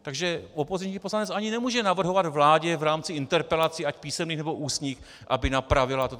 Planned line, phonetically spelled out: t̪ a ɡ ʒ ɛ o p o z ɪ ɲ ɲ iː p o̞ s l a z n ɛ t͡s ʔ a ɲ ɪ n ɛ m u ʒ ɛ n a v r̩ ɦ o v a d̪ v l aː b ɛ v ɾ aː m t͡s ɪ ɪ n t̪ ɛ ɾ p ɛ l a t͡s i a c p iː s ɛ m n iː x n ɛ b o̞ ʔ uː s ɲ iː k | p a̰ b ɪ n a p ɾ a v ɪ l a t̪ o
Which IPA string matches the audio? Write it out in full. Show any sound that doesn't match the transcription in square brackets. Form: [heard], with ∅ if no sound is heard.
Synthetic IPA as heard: t̪ a ɡ ʒ ɛ o p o z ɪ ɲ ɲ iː p o̞ s l a [∅] n ɛ t͡s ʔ a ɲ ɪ n ɛ m [uː] ʒ ɛ n a v r̩ ɦ o v a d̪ v l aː [ɟ] ɛ v ɾ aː m t͡s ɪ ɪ n t̪ ɛ ɾ p ɛ l a t͡s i a c p iː s ɛ m n iː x n ɛ b o̞ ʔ uː s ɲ iː [x] | [ʔ] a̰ b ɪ n a p ɾ a v ɪ l a t̪ o